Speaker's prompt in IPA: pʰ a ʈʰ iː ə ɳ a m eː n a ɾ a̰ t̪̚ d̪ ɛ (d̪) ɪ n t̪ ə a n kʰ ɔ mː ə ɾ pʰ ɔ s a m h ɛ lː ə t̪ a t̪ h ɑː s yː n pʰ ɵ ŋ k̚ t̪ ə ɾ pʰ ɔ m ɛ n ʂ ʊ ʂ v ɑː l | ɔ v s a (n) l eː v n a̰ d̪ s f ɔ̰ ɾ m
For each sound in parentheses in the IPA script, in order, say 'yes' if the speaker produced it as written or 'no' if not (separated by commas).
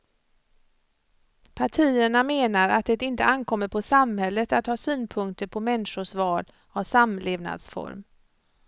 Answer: no, no